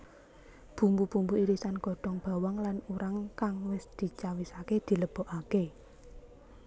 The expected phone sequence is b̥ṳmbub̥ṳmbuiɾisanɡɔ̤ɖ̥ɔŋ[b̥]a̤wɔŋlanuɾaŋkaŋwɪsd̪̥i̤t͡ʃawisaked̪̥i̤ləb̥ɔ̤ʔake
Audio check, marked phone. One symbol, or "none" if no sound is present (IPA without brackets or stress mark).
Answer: b̥